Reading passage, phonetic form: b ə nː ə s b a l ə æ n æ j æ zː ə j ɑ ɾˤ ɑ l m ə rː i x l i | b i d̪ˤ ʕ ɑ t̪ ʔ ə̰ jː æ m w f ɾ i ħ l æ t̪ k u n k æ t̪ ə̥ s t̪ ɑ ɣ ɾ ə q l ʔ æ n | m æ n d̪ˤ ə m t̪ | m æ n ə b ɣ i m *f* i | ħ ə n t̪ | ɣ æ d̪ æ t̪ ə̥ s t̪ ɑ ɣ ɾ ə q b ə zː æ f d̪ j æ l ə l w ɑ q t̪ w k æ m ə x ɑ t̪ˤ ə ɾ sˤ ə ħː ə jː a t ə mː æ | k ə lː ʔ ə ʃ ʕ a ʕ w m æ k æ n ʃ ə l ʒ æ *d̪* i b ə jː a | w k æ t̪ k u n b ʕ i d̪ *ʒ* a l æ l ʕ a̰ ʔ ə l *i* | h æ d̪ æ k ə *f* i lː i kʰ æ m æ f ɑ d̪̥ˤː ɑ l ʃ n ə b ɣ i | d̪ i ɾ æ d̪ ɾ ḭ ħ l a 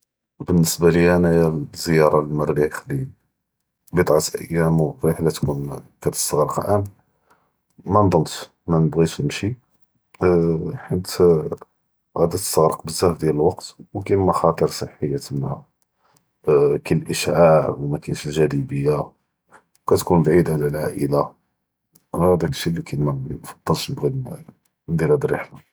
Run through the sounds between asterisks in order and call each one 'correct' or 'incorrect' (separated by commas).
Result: incorrect, correct, incorrect, incorrect, incorrect